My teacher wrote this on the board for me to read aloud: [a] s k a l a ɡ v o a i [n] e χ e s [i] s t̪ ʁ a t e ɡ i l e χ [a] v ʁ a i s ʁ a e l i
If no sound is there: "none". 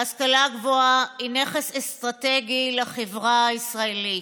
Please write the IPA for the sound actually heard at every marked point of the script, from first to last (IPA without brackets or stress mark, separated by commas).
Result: a, n, e, e